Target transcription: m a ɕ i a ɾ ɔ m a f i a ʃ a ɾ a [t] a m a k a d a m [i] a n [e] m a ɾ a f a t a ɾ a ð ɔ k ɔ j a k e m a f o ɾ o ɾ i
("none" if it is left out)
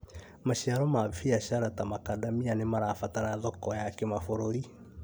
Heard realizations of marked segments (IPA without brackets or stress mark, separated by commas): t, i, e